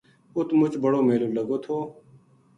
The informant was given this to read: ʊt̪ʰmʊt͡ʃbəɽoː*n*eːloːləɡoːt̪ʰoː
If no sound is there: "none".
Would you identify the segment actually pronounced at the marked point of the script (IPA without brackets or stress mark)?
m